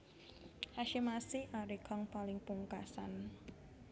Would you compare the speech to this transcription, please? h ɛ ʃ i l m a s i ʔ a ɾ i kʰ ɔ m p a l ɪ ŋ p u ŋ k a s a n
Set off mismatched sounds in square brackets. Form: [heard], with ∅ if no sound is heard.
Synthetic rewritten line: h [a] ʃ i [∅] m a s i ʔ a ɾ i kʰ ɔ [ŋ] p a l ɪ ŋ p u ŋ k a s a n